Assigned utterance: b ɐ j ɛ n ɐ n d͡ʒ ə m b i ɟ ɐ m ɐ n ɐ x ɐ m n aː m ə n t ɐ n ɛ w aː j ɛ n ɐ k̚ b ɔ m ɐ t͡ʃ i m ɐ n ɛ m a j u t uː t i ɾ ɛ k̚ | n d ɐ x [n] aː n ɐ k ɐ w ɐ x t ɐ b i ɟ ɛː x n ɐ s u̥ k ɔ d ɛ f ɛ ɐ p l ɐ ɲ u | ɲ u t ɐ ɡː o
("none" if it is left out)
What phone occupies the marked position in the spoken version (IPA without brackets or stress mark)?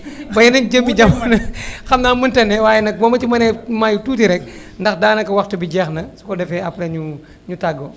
d